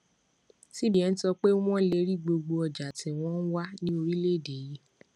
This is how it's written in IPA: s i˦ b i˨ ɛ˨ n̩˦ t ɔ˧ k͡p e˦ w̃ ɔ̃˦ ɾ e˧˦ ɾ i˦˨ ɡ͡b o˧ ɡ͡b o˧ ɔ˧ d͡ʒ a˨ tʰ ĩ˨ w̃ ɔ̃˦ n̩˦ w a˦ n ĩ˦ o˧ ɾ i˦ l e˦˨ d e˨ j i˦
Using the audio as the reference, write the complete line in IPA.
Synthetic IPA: s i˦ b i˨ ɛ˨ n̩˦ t ɔ˧ k͡p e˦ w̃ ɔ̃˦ l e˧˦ ɾ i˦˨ ɡ͡b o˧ ɡ͡b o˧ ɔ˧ d͡ʒ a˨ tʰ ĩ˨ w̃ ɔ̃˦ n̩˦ w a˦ n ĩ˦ o˧ ɾ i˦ l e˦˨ d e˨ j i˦